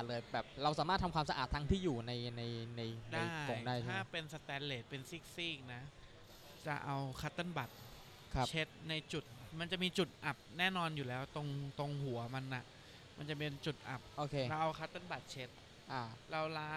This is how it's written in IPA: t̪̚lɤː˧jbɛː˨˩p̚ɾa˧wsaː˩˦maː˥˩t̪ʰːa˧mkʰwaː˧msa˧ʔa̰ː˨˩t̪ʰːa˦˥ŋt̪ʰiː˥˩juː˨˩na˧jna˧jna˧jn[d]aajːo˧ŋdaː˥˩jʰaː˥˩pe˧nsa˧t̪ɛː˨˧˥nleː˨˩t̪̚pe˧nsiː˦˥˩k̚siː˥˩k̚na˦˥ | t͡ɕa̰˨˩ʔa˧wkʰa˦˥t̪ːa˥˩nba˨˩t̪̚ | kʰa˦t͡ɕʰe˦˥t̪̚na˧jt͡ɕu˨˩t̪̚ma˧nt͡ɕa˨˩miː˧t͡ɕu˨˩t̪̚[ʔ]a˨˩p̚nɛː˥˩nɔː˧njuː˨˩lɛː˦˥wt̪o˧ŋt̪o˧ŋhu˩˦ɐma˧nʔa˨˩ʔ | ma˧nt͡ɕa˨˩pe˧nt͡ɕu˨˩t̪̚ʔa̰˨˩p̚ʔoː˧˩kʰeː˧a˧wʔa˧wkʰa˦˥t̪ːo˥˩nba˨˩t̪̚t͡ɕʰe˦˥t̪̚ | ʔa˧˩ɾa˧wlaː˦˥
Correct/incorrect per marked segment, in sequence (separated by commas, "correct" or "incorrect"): correct, correct